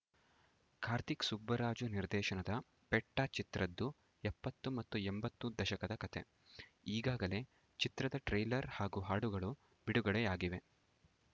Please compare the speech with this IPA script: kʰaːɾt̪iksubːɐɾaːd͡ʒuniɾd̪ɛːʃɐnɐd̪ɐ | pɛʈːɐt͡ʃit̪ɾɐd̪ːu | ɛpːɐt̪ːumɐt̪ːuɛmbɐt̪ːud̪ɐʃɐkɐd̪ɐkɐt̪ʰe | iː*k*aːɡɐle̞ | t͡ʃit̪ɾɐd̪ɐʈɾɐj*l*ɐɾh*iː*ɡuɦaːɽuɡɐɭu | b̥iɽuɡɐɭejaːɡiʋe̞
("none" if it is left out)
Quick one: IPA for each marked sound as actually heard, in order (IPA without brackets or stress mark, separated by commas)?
ɡ, l, aː